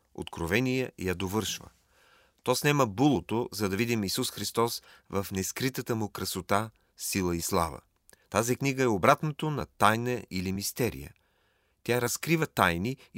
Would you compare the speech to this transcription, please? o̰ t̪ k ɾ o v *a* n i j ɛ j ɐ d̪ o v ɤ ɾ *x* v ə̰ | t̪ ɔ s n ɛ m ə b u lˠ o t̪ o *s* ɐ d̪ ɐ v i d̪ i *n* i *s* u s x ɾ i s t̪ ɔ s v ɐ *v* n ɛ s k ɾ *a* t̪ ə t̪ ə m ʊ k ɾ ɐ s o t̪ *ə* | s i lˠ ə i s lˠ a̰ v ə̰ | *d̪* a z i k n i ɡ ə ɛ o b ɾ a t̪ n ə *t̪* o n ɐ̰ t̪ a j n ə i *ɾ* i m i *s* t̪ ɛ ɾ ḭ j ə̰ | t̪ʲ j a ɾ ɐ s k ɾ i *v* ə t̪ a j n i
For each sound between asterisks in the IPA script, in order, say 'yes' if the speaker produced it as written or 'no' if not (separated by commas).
no, no, no, no, yes, no, no, no, no, yes, no, yes, yes